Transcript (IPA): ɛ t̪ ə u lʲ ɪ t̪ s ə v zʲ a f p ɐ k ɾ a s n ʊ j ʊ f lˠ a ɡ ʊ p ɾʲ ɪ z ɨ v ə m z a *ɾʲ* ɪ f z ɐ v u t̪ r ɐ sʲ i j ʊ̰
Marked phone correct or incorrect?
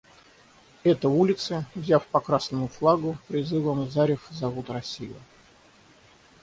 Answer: correct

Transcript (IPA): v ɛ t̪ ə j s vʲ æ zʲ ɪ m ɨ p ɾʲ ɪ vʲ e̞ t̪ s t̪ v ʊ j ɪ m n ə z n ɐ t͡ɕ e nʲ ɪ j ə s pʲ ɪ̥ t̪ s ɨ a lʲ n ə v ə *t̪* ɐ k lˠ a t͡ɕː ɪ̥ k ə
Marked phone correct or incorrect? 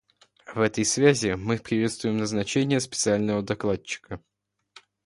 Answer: incorrect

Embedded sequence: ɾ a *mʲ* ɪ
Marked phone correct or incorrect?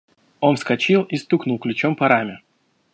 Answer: correct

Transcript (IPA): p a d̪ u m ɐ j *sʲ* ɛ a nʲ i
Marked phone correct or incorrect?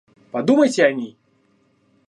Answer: incorrect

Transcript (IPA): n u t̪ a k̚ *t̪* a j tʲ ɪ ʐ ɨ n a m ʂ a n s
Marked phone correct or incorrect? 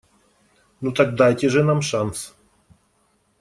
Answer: incorrect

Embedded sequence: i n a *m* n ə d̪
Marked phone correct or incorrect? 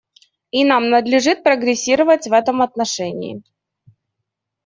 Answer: correct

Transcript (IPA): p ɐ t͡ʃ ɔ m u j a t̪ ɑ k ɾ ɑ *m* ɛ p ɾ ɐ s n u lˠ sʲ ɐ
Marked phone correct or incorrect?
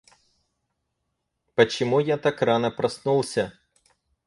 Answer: incorrect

